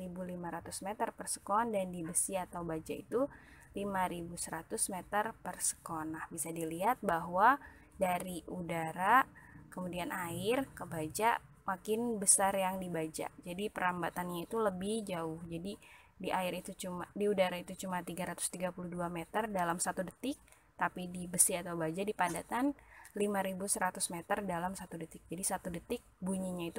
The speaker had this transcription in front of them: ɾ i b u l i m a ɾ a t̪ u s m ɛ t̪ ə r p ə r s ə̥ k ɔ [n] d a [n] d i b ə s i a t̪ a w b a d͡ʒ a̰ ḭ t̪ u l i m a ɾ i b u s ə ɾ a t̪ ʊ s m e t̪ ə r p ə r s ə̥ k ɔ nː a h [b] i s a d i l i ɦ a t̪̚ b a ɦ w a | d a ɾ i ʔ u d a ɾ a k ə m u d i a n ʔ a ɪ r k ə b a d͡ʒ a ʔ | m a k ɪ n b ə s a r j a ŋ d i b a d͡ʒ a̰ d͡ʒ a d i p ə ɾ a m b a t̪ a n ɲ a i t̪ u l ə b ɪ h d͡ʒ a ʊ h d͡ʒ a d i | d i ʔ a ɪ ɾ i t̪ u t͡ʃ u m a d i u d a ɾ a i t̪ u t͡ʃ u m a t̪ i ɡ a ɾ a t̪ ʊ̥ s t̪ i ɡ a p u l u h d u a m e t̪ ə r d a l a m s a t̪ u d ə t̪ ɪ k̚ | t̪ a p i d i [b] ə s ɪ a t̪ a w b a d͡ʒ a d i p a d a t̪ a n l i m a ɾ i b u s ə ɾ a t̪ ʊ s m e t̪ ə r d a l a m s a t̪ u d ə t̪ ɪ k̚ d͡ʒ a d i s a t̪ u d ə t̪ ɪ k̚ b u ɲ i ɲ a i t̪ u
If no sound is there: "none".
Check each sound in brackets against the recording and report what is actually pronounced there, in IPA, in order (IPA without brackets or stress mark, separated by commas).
n, n, b, b